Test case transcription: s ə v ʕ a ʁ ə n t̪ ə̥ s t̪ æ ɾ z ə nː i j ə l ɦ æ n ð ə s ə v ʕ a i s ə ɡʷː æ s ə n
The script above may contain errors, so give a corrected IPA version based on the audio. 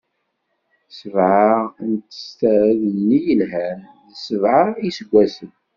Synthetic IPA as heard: s ə v ʕ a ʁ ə n t̪ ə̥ s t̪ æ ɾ ð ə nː i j ə l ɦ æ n ð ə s ə v ʕ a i s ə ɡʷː æ s ə n